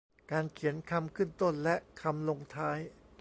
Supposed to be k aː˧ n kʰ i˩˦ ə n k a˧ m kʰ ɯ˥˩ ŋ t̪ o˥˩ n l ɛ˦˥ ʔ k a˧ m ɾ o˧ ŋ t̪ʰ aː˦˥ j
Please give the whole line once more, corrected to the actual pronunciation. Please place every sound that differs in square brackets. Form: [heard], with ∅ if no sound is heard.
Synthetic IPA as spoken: k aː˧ n kʰ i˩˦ ə n [kʰ] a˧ m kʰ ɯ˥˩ [n] t̪ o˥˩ n l ɛ˦˥ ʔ [kʰ] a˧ m [l] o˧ ŋ t̪ʰ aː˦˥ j